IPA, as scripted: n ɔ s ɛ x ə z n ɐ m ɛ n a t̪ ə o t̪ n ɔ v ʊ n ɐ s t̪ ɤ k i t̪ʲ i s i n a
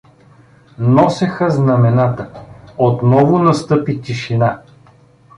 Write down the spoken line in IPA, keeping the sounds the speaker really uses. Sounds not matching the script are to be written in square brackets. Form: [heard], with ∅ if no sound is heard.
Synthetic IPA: n ɔ s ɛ x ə z n ɐ m ɛ n a t̪ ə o t̪ n ɔ v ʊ n ɐ s t̪ ɤ [p] i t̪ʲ i [ʃ] i n a